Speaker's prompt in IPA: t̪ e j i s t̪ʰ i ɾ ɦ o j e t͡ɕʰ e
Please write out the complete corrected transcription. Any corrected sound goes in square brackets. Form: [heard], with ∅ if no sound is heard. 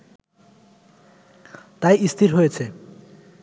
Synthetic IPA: t̪ [a] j i s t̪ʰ i ɾ ɦ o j e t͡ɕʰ e

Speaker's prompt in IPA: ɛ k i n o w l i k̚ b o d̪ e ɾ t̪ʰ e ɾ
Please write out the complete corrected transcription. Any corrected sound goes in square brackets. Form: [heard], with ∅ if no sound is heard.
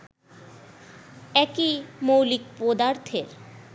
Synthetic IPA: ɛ k i [m] o w l i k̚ [p] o d̪ [a] ɾ t̪ʰ e ɾ

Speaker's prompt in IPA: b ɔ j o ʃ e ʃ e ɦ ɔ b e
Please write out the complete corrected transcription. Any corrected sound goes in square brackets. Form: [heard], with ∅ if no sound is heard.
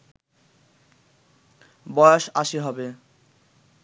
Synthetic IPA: b ɔ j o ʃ [a] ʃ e ɦ ɔ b e

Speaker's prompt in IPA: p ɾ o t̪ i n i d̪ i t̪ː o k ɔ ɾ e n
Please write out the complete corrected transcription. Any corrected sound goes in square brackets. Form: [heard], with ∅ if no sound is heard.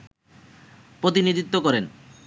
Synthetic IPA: p ɾ o t̪ i n i d̪ i t̪ː o k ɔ ɾ e n

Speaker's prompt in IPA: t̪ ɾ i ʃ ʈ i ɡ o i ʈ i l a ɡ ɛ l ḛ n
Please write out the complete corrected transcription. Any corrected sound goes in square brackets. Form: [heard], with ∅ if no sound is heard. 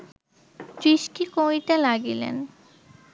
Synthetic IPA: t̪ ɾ i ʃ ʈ i [k] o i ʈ [a] l a ɡ [i] l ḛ n

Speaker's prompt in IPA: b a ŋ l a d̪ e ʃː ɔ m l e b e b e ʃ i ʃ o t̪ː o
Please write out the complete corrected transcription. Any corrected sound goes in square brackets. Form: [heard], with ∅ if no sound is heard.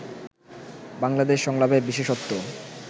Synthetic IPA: b a ŋ l a d̪ e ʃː ɔ [ŋ] l [a] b e b [i] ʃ [e] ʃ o t̪ː o

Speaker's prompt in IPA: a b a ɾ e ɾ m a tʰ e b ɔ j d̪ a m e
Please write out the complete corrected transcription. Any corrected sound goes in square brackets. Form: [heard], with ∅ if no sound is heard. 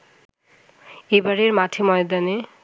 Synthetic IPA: [e] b a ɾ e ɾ m a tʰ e [m] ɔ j d̪ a [n] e

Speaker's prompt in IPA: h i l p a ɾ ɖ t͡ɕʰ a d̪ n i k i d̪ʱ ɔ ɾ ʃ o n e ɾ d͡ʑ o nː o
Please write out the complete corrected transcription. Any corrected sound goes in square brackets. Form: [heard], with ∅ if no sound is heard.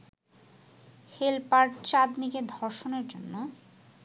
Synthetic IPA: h [e] l p a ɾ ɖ [t͡ɕ] a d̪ n i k [e] d̪ʱ ɔ ɾ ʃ o n e ɾ d͡ʑ o nː o

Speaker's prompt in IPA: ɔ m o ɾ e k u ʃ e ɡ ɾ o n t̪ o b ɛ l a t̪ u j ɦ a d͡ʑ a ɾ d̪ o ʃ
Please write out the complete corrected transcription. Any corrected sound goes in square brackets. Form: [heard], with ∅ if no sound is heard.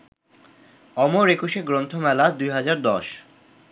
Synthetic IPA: ɔ m o ɾ e k u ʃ e ɡ ɾ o n [t̪ʰ] o [m] ɛ l a [d̪] u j ɦ a d͡ʑ a ɾ d̪ [ɔ] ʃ

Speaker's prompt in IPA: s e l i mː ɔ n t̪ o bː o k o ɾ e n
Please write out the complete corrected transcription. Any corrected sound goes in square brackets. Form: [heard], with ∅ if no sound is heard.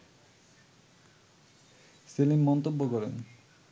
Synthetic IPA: s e l i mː ɔ n t̪ o bː o k [ɔ] ɾ e n

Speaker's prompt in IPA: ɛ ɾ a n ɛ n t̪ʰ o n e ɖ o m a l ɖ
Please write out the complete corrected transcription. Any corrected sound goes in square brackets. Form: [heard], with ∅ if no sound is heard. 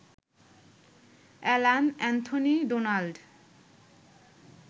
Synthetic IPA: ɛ [l] a n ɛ n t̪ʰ o n [i] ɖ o [n] a l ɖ

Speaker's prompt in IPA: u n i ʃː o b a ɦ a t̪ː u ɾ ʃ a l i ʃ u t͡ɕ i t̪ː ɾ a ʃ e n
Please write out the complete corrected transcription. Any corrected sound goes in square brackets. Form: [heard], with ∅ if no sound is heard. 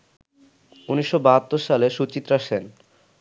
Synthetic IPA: u n i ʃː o b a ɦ a t̪ː [o] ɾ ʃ a l [e] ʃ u t͡ɕ i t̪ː ɾ a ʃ e n

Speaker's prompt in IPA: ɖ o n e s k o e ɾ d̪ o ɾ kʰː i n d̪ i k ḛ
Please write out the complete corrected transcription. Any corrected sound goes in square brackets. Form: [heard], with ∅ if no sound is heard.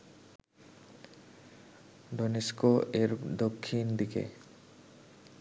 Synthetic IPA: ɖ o n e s k o e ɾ d̪ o [∅] kʰː i n d̪ i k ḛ

